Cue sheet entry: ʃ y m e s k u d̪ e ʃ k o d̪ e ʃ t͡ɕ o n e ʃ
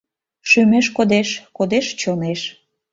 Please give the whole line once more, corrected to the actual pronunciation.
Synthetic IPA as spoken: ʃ y m e ʃ k o d̪ e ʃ k o d̪ e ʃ t͡ɕ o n e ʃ